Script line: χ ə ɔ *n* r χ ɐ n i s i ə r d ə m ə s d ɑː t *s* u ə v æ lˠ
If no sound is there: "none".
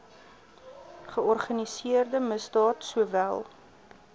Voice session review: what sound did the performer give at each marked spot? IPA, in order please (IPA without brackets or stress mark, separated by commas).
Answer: none, s